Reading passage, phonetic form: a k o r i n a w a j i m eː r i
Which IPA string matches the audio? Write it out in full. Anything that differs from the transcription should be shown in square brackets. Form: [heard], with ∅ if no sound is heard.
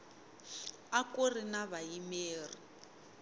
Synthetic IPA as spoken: a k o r i n a [β] a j i m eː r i

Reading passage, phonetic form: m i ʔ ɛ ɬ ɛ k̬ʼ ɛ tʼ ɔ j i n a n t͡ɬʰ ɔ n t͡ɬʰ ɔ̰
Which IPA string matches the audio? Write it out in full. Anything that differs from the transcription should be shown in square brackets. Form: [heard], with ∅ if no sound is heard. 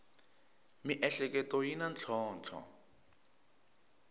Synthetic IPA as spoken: m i ʔ ɛ ɬ ɛ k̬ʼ ɛ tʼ ɔ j i n a n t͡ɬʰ [ɔː] n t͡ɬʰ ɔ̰

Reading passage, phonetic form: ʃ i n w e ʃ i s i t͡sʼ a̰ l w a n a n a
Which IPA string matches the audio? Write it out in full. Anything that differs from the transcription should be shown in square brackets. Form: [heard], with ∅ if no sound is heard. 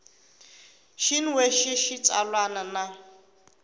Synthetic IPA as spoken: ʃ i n w e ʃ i [ʃ] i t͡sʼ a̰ l w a n a n a

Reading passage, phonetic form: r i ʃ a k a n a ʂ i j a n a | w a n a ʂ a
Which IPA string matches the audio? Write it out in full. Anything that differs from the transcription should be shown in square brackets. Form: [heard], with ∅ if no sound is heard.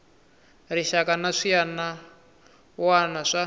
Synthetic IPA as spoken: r i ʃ a k a n a ʂ i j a n a | w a n a ʂ a

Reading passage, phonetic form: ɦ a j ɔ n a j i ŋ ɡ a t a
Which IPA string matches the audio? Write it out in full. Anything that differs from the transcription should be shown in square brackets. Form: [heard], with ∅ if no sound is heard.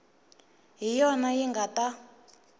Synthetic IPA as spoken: ɦ [i] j ɔ n a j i ŋ ɡ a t a

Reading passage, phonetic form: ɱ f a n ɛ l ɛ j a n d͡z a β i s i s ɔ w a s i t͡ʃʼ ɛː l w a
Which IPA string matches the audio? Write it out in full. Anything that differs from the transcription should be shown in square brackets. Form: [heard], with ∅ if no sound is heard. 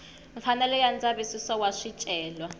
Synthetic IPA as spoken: ɱ f a n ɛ l ɛ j a n d͡z a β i s i s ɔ w a [ʂ] i t͡ʃʼ ɛː l w a

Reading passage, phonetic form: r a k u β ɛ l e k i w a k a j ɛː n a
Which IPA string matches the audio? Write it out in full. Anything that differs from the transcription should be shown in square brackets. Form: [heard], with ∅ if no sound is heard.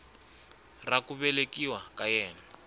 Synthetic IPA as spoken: r a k u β ɛ l e k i w a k a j ɛː n a

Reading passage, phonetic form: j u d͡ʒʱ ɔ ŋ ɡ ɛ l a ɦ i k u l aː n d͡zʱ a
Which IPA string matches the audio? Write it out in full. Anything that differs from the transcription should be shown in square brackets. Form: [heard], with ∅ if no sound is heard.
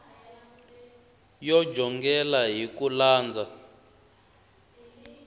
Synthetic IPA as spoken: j [ɔ] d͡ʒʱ ɔ ŋ ɡ ɛ l a ɦ i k u l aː n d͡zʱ a

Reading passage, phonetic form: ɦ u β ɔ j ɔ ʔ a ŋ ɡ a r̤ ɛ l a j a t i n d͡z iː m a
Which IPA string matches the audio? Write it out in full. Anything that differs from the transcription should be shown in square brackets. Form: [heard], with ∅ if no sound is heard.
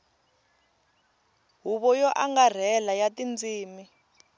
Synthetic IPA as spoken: ɦ u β ɔ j ɔ ʔ a ŋ ɡ a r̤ ɛ l a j a t i n d͡z iː m [i]

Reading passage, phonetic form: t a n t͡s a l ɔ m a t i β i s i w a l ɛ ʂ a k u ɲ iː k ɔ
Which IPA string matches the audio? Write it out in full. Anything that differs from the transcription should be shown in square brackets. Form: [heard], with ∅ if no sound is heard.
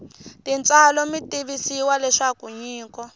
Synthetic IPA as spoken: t [i] n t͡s a l ɔ m [i] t i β i s i w a l ɛ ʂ a k u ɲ iː k ɔ

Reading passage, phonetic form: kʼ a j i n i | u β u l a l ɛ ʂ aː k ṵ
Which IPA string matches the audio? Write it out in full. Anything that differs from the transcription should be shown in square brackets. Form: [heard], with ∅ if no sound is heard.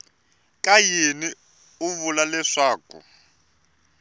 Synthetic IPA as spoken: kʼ a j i n i | u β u l a l ɛ ʂ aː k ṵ

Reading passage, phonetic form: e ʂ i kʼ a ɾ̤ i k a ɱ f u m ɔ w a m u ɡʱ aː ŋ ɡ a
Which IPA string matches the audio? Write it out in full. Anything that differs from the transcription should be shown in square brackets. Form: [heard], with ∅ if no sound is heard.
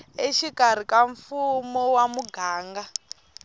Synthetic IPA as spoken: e [ʃ] i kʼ a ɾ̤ i k a ɱ f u m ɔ w a m u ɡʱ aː ŋ ɡ a

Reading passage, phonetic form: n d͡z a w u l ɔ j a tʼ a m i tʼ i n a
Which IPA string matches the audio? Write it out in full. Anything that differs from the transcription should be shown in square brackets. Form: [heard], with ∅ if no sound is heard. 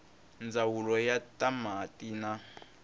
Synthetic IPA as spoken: n d͡z a w u l ɔ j a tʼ a m [a] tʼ i n a

